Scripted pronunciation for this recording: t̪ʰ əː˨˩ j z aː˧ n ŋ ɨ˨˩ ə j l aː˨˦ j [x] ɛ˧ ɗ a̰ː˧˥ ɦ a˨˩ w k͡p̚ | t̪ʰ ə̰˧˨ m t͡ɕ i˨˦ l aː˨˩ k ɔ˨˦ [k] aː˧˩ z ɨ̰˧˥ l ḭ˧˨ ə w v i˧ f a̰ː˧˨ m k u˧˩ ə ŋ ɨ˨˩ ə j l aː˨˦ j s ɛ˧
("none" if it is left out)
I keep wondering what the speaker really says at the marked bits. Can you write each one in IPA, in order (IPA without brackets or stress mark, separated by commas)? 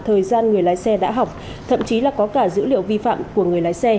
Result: s, k